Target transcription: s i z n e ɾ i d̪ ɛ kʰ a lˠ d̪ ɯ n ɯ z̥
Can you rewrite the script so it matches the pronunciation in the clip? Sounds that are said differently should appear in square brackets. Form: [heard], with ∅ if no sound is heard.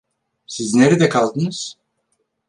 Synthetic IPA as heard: s i z n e ɾ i d̪ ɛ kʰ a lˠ d̪ ɯ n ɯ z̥